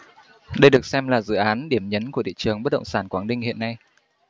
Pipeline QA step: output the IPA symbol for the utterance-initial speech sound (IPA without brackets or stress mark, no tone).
ɗ